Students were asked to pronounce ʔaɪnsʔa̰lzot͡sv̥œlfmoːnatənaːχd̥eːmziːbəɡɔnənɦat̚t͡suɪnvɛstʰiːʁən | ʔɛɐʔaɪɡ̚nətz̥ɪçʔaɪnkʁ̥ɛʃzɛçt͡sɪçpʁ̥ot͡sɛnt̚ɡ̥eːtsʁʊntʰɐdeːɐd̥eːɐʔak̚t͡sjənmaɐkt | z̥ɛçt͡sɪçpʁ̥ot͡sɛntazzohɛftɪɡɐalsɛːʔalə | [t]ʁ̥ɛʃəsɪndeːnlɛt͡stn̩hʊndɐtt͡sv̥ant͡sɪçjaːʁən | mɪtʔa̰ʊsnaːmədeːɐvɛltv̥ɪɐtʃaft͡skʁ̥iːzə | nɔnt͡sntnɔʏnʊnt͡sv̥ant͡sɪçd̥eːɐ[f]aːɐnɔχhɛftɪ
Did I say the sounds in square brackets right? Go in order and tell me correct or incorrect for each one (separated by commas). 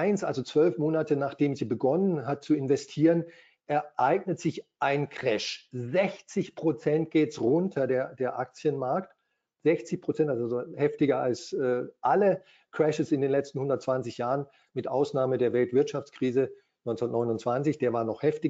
incorrect, incorrect